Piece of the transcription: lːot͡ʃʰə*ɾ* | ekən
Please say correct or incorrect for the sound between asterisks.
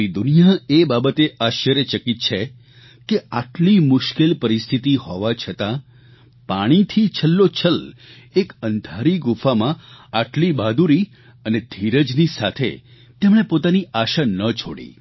incorrect